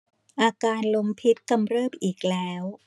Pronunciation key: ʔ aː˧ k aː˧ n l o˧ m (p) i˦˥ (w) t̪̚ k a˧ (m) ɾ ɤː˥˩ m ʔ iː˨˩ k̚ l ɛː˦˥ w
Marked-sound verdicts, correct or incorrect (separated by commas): incorrect, incorrect, correct